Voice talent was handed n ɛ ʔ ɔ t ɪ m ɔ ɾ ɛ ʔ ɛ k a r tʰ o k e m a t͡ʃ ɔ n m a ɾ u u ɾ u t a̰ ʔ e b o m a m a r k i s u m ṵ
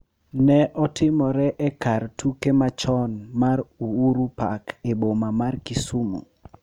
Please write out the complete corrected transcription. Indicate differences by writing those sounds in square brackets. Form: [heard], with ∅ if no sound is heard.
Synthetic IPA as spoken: n ɛ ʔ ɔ t ɪ m ɔ ɾ ɛ ʔ ɛ k a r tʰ [u] k e m a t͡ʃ ɔ n m a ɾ u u ɾ u [p] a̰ [k] e b o m a m a r k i s u m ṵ